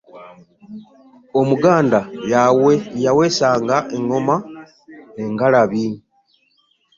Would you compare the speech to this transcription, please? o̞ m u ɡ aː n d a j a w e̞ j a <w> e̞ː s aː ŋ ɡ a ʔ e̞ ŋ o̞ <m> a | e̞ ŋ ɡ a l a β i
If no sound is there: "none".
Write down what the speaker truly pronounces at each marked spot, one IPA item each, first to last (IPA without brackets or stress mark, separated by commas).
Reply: w, m